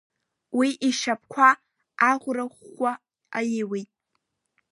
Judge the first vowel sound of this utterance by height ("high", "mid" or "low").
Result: high